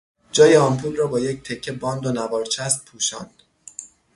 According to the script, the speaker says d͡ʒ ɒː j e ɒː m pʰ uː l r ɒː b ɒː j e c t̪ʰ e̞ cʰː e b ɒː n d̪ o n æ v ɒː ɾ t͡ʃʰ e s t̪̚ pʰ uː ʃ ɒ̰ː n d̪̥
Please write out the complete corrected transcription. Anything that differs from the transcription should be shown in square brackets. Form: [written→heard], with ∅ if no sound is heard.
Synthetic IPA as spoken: d͡ʒ ɒː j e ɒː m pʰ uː l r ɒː b ɒː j e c t̪ʰ e̞ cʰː e b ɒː n d̪ o n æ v ɒː ɾ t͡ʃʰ [e→æ] s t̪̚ pʰ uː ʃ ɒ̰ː n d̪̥